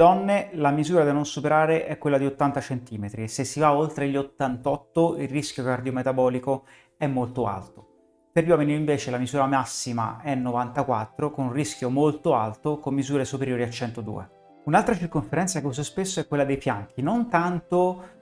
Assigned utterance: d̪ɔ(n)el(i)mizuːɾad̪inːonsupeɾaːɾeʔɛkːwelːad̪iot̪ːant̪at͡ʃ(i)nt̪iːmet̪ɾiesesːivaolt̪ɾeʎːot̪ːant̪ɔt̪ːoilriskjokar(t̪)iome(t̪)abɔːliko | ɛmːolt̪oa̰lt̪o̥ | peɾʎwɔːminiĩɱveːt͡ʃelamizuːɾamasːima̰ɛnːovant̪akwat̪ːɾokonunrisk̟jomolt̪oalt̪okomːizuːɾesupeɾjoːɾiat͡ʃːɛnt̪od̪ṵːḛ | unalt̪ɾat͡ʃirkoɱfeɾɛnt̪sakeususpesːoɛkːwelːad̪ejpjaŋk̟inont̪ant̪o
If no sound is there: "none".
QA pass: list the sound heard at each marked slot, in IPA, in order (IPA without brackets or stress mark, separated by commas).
nː, a, e, d̪, t̪